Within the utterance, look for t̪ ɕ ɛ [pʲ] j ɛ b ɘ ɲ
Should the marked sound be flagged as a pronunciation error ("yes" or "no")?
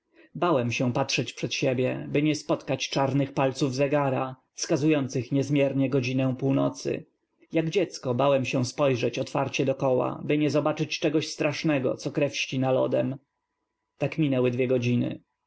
yes